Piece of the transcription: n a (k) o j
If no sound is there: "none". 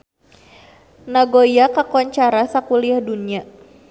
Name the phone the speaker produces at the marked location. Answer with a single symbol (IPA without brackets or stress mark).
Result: ɡ